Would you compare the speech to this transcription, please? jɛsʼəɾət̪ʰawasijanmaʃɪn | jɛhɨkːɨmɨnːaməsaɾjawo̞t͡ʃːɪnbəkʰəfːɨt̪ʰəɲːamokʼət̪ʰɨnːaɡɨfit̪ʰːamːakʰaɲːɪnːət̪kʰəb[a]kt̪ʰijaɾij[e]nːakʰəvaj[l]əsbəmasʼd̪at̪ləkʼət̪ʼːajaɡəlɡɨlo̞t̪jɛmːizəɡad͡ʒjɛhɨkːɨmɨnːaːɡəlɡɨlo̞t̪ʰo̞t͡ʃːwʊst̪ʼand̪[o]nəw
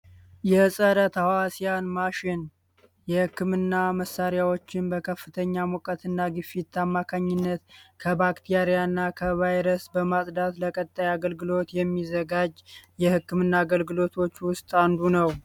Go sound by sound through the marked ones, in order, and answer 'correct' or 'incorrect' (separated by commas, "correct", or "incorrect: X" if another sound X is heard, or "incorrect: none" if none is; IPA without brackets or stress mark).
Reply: correct, incorrect: a, incorrect: ɾ, incorrect: u